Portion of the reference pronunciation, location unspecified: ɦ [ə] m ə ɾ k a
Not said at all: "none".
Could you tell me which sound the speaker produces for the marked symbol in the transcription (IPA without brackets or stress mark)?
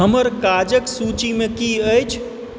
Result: ə